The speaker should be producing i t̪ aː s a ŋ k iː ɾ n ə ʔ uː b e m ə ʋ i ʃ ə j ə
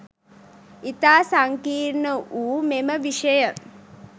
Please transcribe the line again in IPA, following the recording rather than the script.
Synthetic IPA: i t̪ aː s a ŋ k iː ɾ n ə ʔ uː m e m ə ʋ i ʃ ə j ə